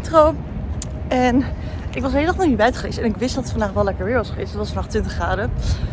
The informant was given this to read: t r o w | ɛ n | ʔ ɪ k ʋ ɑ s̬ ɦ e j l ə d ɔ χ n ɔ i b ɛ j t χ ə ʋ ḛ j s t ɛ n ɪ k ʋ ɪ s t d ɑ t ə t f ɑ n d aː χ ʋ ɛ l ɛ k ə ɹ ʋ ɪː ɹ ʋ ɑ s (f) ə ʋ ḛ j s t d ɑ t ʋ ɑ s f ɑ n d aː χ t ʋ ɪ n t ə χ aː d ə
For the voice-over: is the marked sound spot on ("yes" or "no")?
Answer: no